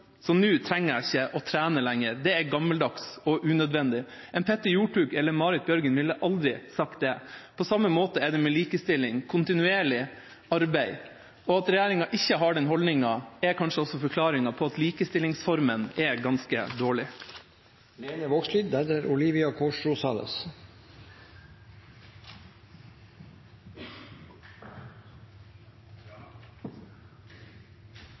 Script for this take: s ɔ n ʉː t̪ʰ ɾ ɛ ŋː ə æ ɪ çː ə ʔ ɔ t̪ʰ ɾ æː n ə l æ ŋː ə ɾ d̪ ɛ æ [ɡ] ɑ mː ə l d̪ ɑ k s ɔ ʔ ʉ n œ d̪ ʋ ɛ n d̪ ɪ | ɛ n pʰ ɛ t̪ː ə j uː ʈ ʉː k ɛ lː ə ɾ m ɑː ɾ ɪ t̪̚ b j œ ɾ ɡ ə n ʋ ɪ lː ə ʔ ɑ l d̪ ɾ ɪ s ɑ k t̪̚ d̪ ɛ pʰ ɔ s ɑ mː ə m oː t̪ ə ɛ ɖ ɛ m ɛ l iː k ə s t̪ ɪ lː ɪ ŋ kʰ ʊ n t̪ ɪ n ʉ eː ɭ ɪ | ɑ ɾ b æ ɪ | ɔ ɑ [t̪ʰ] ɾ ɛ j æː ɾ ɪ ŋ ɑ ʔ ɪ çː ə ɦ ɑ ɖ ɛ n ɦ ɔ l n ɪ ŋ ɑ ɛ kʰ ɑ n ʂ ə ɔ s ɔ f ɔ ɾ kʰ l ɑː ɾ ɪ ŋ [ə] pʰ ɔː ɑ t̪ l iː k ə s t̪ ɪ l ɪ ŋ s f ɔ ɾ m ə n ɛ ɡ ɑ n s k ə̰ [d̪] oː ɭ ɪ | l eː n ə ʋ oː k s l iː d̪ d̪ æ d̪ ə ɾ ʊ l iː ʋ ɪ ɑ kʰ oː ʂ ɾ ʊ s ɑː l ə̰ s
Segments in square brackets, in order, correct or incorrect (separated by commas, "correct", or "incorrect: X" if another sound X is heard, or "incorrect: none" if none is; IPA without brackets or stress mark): correct, incorrect: t̪, incorrect: ɑ, correct